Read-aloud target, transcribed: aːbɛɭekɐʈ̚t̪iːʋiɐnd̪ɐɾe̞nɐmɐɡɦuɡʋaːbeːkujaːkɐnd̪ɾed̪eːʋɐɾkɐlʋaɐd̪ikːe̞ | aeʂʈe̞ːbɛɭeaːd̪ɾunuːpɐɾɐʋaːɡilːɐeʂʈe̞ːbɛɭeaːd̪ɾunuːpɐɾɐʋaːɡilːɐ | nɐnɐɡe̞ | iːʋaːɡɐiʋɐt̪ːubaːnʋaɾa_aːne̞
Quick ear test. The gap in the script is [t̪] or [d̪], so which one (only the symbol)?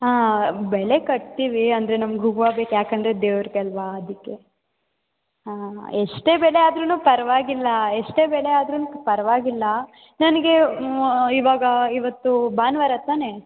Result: t̪